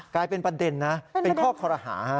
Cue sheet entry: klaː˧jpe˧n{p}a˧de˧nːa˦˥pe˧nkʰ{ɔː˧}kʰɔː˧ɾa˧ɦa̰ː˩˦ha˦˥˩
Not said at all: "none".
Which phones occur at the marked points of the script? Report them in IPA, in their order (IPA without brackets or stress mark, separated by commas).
p, ɔː˥˩